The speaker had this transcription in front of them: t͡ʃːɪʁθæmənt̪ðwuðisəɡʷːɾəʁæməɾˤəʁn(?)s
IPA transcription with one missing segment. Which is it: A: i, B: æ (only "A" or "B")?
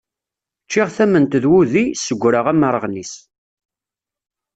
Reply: A